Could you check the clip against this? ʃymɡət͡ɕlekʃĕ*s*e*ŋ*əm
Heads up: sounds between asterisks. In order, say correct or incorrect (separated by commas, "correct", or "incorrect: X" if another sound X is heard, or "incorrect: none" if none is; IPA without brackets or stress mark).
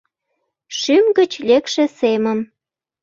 correct, incorrect: m